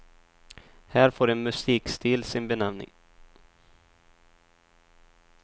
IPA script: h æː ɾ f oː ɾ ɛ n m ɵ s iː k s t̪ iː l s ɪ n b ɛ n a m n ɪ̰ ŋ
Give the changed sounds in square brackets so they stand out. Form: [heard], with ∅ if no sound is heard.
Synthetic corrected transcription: h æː ɾ f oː ɾ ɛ n m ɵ s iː k s t̪ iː l s ɪ n b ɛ n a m n ɪ̰ ŋ